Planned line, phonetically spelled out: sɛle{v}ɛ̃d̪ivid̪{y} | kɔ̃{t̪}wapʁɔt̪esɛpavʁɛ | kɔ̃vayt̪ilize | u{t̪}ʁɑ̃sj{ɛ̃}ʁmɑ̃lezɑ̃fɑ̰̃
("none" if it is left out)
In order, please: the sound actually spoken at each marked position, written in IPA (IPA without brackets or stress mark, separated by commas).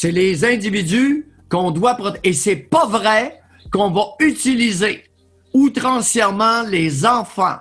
z, y, d̪, t̪, ɛ